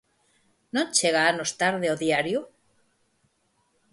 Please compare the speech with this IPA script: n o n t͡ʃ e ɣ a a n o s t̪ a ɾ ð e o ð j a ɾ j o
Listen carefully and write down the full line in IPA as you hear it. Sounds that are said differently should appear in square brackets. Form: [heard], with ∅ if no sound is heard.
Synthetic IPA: n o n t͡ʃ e ɣ a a n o s t̪ a ɾ ð e o ð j a ɾ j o